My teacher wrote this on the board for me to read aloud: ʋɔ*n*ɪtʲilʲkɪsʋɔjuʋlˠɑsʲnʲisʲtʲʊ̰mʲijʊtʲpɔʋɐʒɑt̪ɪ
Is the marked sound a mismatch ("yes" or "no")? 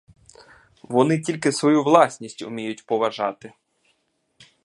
no